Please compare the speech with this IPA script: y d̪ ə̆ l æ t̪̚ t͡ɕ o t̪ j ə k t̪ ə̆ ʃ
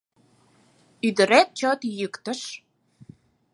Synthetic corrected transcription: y d̪ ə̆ ɾ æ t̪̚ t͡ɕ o t̪ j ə k t̪ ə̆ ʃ